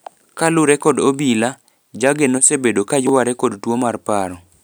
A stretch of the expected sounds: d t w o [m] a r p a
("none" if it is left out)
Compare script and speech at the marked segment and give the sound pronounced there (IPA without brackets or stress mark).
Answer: m